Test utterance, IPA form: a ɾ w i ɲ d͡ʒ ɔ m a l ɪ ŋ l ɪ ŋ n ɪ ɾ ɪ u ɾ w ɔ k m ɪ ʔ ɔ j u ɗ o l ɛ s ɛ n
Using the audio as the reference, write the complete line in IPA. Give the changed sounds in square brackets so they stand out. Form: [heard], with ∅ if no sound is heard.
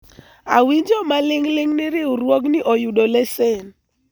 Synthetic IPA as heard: a [∅] w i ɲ d͡ʒ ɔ m a l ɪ ŋ l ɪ ŋ n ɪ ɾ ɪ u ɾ w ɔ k [n] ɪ ʔ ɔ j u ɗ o l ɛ s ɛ n